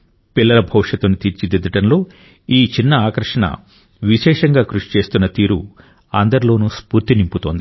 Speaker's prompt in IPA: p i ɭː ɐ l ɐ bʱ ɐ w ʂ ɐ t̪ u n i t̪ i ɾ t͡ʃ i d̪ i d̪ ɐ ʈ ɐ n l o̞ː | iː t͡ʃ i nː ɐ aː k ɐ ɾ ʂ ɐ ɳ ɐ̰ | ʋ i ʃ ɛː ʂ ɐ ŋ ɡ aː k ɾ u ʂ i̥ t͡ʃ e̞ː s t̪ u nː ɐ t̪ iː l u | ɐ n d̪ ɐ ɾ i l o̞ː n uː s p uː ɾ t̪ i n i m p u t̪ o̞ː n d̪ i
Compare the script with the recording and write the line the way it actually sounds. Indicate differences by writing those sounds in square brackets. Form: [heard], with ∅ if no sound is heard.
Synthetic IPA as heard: p i [lː] ɐ l ɐ bʱ ɐ w ʂ ɐ t̪ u n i t̪ i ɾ t͡ʃ i d̪ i d̪ ɐ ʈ ɐ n l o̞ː | iː t͡ʃ i nː ɐ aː k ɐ ɾ ʂ ɐ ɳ ɐ̰ | ʋ i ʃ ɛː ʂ ɐ ŋ ɡ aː k ɾ u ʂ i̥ t͡ʃ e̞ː s t̪ u nː ɐ t̪ iː [ɾ] u | ɐ n d̪ ɐ ɾ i l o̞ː n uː s p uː ɾ t̪ i n i m p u t̪ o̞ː n d̪ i